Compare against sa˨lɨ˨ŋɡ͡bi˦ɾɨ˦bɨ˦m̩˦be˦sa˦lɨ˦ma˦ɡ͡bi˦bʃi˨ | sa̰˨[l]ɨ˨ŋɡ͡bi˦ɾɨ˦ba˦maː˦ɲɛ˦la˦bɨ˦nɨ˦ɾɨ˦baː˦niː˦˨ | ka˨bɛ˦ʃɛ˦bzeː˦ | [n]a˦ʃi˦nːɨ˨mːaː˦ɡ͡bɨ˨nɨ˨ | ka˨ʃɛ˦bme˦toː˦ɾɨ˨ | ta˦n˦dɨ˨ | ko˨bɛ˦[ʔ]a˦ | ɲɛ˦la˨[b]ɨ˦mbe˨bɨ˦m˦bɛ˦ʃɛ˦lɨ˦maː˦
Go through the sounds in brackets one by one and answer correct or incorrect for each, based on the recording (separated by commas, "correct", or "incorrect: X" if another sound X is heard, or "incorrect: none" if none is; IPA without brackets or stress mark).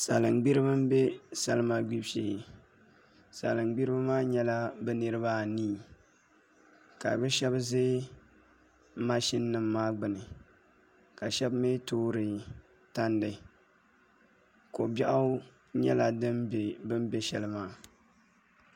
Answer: correct, incorrect: m, correct, incorrect: d